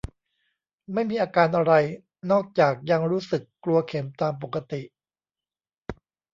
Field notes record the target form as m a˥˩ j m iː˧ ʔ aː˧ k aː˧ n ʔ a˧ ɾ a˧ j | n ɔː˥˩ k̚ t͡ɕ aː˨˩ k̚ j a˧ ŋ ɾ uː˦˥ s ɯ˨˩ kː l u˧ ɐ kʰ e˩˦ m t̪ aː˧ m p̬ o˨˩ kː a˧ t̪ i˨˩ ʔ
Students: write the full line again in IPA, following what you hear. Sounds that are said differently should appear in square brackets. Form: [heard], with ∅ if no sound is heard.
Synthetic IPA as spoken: m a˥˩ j m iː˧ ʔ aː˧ k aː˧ n ʔ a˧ ɾ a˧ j | n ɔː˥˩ k̚ t͡ɕ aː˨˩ k̚ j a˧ ŋ ɾ uː˦˥ s ɯ˨˩ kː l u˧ ɐ kʰ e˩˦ m t̪ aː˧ m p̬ o˨˩ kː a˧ t̪ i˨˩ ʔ